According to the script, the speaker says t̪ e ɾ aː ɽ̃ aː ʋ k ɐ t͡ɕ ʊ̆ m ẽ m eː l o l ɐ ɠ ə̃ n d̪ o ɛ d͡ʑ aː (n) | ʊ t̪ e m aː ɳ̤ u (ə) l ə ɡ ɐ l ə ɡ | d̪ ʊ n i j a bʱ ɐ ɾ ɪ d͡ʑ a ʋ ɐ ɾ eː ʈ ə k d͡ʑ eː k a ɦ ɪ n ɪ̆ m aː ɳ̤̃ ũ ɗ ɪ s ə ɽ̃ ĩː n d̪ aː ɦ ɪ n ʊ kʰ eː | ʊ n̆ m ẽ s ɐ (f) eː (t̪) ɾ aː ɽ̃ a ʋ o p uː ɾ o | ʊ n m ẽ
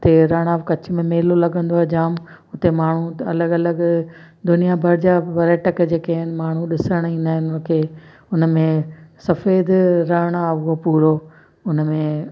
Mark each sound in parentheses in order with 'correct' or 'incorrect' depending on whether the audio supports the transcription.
incorrect: m, incorrect: ɐ, correct, incorrect: d̪

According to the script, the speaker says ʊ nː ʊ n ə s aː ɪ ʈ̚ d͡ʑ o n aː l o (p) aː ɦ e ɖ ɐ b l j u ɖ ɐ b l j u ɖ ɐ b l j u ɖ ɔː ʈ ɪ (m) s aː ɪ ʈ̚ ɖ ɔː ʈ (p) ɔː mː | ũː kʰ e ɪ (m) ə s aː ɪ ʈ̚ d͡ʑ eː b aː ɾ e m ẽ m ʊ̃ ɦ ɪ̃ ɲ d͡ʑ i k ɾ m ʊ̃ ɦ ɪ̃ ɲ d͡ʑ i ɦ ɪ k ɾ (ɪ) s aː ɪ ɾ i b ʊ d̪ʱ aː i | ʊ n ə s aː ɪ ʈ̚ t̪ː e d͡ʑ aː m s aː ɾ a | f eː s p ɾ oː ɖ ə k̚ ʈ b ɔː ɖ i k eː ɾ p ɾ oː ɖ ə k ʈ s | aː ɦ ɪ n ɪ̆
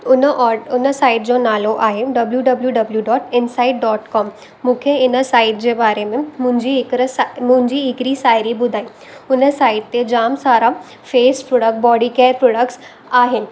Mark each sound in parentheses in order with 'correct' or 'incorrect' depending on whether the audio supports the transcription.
incorrect: ʔ, incorrect: n, incorrect: k, incorrect: n, incorrect: i

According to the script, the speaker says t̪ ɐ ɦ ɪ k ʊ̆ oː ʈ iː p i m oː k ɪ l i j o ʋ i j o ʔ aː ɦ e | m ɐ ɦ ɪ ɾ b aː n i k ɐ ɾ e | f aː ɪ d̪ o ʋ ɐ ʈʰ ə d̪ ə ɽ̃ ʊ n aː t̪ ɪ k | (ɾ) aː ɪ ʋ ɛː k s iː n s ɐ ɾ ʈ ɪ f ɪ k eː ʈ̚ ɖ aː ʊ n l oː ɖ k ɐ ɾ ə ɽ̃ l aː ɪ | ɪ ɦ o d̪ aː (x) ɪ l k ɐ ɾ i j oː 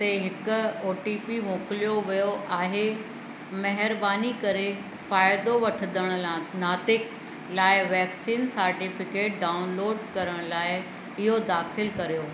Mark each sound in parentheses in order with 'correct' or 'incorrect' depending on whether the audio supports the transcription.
incorrect: l, correct

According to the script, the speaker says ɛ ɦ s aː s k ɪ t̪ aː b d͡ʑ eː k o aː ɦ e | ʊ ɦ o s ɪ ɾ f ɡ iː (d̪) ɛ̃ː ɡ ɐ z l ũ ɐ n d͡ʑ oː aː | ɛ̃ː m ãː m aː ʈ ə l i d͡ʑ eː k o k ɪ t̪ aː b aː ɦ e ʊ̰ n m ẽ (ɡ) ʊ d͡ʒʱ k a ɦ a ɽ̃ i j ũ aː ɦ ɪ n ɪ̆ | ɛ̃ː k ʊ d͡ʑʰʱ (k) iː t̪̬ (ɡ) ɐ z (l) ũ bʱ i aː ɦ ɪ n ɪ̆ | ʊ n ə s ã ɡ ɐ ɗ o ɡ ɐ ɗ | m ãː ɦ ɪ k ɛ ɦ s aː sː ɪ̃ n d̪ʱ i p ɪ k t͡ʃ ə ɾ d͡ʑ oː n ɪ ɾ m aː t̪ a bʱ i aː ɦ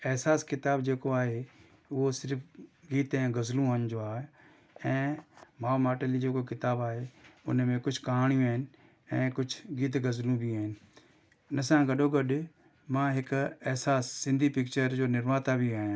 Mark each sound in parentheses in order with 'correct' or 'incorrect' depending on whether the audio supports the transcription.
incorrect: t̪, incorrect: k, incorrect: ɡ, correct, correct

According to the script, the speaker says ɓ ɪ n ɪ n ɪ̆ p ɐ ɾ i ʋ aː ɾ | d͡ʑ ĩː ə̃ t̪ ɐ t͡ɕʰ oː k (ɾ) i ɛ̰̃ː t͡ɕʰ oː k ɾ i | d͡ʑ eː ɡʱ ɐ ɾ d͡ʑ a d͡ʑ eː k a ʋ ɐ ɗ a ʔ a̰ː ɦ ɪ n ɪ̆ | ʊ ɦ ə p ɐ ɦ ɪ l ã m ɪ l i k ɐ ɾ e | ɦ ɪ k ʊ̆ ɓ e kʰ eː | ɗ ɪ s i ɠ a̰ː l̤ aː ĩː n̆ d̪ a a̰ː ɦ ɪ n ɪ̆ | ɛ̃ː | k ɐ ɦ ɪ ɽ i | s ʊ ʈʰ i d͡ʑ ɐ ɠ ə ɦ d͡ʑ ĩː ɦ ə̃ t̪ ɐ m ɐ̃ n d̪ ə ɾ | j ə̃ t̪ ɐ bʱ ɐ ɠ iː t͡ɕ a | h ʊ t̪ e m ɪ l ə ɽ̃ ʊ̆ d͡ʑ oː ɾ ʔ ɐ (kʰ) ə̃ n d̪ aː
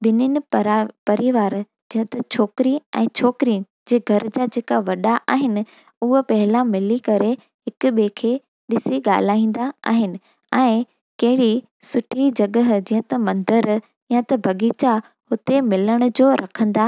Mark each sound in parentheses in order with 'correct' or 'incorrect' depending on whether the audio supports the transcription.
correct, correct

